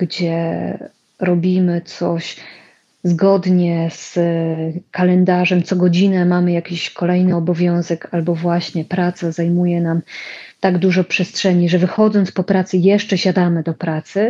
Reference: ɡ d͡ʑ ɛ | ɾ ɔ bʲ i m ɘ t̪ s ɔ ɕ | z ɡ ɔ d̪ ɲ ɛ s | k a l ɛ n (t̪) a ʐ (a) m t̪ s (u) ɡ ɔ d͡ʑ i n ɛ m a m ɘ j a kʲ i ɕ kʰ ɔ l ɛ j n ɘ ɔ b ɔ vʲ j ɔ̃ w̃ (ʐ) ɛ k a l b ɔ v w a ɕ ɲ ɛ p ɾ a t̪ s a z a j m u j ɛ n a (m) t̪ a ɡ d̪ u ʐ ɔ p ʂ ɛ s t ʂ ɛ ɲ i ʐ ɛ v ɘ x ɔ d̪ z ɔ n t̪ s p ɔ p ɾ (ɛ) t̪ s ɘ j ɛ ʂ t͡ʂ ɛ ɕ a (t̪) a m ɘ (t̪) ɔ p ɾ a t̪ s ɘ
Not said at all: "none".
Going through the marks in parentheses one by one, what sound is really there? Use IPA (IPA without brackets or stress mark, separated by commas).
d̪, ɛ, ɔ, z, m, a, d̪, d̪